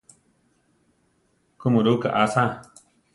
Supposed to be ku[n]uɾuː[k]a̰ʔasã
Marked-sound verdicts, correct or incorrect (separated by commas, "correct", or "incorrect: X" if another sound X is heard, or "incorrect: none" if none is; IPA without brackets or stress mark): incorrect: m, correct